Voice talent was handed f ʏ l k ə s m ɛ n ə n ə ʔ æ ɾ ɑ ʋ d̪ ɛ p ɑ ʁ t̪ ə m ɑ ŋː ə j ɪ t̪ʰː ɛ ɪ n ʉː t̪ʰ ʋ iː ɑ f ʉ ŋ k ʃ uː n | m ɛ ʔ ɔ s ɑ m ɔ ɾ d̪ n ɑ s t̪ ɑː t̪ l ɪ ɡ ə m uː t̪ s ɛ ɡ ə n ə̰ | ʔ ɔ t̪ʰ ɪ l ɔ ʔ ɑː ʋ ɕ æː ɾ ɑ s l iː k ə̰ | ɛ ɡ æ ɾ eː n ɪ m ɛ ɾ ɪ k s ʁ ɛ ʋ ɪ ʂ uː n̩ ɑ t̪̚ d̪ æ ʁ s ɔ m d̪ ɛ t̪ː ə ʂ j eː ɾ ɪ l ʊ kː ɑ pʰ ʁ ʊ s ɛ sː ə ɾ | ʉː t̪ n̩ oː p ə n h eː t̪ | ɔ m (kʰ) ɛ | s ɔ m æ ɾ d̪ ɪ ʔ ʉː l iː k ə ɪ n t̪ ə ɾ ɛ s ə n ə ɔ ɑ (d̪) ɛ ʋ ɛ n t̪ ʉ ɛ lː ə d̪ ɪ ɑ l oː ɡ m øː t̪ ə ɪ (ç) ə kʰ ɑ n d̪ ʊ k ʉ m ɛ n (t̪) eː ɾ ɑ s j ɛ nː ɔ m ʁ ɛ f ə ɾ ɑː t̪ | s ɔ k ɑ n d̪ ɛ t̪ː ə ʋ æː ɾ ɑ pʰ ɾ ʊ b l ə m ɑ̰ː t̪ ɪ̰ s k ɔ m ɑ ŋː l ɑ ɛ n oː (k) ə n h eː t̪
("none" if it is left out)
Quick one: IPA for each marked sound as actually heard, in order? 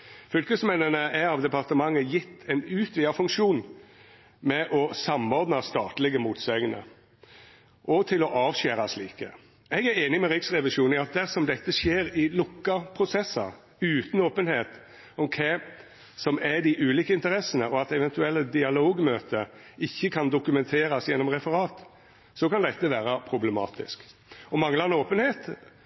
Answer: kʰ, t̪, çː, t̪ʰ, p

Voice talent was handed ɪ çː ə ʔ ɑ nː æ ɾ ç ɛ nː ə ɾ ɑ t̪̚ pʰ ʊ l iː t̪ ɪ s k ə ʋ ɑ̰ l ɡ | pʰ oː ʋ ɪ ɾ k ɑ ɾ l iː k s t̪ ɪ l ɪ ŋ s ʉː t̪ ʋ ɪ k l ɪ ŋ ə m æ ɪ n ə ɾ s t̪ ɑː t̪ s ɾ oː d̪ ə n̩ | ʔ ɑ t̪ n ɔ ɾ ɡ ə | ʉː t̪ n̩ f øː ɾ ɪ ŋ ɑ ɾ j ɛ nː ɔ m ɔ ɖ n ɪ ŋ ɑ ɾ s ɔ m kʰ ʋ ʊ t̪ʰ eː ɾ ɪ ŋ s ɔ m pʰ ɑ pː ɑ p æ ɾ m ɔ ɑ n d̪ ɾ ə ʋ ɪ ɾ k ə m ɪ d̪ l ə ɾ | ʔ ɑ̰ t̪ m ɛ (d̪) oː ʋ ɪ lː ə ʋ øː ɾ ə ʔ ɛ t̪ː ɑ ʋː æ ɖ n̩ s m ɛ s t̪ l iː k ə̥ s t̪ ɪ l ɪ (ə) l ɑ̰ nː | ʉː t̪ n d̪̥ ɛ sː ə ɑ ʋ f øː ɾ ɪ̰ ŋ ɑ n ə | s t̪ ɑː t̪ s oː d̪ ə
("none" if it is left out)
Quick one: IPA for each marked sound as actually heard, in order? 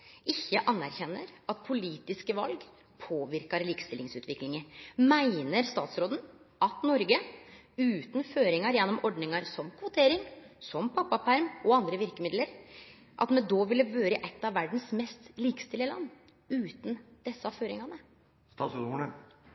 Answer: d̪, ə

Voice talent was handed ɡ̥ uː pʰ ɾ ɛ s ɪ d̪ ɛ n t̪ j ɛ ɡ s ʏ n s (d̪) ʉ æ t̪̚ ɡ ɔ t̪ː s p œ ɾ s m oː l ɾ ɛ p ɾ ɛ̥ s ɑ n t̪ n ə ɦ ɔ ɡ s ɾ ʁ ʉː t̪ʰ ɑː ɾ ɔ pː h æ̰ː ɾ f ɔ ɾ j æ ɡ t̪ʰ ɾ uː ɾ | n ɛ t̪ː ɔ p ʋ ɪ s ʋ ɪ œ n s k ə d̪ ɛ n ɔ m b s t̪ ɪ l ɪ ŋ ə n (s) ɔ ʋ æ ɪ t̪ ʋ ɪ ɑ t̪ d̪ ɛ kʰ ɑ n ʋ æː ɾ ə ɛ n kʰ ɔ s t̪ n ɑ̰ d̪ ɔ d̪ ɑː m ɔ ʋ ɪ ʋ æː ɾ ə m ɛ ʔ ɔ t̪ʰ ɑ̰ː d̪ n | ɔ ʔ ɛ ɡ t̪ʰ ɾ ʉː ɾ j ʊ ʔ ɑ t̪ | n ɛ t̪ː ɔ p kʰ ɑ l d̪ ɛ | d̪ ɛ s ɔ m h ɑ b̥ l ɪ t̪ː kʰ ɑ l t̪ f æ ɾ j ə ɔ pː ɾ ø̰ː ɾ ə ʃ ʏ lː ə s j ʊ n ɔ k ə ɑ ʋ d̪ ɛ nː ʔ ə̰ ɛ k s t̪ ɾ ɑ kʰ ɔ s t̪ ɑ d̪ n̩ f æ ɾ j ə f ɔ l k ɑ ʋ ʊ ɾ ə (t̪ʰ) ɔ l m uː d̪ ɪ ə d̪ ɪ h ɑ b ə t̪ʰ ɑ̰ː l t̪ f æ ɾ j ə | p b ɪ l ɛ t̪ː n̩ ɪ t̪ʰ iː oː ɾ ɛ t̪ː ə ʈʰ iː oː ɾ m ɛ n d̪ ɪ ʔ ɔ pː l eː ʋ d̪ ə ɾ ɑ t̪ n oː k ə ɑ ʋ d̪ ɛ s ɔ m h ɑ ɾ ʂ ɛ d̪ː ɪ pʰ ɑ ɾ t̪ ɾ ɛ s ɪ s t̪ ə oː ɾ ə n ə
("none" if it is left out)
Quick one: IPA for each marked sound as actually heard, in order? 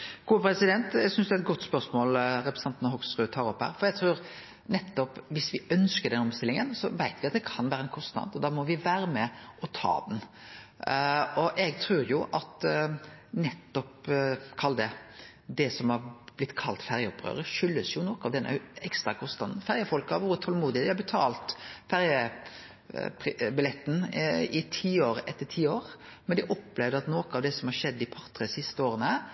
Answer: d̪, s, t̪ʰ

